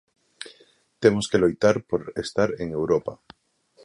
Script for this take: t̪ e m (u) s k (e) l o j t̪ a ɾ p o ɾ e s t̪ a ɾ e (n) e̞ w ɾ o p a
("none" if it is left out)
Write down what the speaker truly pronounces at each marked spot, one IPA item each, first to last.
o, e, ŋ

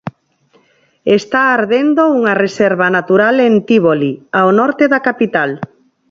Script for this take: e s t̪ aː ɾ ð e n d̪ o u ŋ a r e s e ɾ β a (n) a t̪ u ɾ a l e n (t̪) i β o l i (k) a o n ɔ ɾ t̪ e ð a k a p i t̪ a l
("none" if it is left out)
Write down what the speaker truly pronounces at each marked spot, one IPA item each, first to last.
n, t̪, none

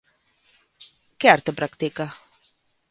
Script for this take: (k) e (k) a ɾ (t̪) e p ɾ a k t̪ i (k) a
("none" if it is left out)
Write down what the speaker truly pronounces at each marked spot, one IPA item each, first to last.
k, none, t̪, k

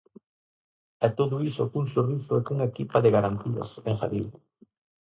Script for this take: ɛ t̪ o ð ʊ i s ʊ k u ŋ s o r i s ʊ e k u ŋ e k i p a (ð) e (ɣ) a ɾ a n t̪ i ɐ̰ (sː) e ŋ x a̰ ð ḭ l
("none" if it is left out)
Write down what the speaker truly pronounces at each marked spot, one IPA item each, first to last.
ð, ɣ, s

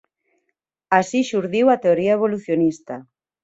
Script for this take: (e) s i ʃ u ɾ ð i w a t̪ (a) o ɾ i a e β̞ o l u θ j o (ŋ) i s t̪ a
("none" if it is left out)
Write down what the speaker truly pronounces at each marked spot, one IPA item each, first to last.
a, e, n

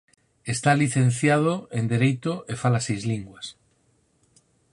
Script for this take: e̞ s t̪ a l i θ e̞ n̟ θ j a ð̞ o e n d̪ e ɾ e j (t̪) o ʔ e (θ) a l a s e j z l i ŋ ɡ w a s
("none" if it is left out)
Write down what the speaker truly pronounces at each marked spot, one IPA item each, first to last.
t̪, f

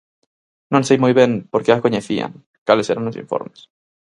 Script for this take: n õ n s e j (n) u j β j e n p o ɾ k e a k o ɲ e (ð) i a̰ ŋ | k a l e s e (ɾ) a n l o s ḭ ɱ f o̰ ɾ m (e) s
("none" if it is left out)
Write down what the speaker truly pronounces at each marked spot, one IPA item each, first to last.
m, θ, ɾ, e

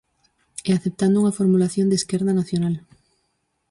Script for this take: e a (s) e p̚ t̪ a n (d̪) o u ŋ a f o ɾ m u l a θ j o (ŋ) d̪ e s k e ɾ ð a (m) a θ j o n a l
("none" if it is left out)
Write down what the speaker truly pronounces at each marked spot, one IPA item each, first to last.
θ, d̪, n, n

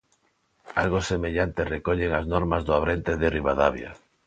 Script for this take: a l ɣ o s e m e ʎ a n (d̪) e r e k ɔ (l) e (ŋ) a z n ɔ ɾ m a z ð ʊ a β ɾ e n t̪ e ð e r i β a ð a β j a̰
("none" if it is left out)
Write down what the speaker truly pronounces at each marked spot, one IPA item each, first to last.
t̪, ʎ, ŋ

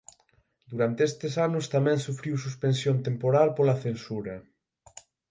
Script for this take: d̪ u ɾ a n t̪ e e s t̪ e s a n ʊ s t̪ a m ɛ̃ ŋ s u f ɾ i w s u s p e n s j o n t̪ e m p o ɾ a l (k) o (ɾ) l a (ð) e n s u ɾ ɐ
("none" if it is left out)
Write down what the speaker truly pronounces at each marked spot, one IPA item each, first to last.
p, none, θ

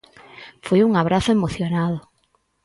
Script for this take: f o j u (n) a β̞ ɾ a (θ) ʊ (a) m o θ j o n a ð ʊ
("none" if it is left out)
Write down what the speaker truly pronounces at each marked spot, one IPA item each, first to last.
ŋ, θ, e

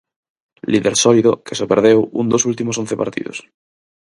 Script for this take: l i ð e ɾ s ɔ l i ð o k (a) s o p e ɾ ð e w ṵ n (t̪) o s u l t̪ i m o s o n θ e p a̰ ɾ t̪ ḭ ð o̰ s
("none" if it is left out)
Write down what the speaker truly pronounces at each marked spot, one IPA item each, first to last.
e, d̪

